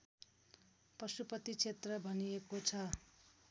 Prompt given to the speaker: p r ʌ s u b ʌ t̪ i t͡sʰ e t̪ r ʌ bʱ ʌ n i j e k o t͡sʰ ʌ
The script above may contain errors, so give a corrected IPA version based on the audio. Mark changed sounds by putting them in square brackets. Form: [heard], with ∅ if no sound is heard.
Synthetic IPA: p r ʌ s u [p] ʌ t̪ i t͡sʰ e t̪ r ʌ bʱ ʌ n i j e k o t͡sʰ ʌ